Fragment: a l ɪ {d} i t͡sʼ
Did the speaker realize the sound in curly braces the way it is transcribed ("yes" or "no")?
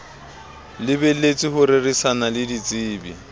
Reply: yes